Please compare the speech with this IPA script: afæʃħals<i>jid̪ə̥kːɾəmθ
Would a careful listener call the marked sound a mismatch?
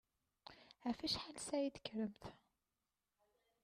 yes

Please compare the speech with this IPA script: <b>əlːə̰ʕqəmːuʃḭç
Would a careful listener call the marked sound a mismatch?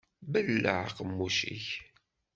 no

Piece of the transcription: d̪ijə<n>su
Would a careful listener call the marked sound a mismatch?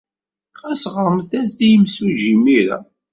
yes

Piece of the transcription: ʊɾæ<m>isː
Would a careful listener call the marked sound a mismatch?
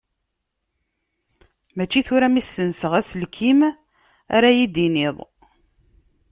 no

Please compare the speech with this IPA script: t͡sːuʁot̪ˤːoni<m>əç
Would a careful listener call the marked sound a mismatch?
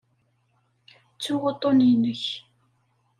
yes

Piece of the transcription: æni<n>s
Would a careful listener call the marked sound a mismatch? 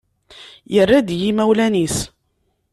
yes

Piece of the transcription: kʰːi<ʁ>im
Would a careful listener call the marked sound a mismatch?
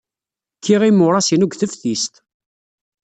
no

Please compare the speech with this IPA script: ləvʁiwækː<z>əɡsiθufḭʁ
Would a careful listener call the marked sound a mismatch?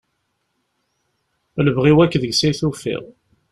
yes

